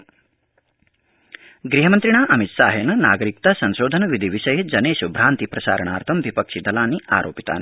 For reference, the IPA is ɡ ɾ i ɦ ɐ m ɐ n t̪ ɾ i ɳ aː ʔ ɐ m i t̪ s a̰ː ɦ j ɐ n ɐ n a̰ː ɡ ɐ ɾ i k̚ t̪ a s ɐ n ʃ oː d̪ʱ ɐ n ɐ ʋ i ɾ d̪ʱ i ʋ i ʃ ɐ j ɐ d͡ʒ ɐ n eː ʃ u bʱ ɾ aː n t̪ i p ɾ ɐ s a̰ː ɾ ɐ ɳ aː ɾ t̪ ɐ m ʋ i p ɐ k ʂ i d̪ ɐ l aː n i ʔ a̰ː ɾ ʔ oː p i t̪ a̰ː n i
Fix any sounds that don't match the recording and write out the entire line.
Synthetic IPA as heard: ɡ ɾ i ɦ ɐ m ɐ n t̪ ɾ i ɳ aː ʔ ɐ m i t̪ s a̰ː ɦ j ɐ n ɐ n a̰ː ɡ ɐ ɾ i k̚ t̪ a s ɐ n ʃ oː d̪ʱ ɐ n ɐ ʋ i d̪ʱ i ʋ i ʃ ɐ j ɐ d͡ʒ ɐ n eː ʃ u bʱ ɾ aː n t̪ i p ɾ ɐ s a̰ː ɾ ɐ ɳ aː ɾ t̪ʰ ɐ m ʋ i p ɐ k ʂ i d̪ ɐ l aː n i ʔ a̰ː ɾ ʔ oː p i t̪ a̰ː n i